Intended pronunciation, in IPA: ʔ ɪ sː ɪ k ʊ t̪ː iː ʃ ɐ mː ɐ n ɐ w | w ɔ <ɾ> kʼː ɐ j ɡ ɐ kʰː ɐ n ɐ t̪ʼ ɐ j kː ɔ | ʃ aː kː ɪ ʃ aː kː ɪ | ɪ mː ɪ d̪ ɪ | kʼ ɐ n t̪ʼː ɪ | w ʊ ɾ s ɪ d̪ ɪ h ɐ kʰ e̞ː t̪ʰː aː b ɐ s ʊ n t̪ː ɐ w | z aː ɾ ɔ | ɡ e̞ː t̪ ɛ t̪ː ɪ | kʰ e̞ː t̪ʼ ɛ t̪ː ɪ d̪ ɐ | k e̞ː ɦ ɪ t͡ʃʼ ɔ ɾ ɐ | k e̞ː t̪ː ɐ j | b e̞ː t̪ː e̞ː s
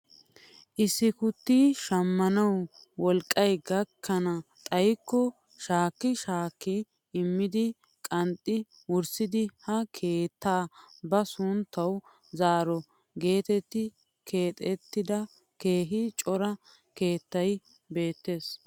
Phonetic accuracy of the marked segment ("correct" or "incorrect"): incorrect